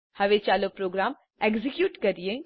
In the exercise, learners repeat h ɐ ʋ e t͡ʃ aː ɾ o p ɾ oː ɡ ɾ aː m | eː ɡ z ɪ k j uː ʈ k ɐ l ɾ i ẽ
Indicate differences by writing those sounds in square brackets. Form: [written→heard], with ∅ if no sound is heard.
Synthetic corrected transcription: h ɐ ʋ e t͡ʃ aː [ɾ→l] o p ɾ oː ɡ ɾ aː m | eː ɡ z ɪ k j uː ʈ k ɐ [l→∅] ɾ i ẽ